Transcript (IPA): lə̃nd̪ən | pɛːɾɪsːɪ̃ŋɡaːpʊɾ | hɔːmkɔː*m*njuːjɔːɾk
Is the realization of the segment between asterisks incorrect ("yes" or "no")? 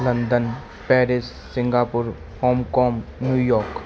no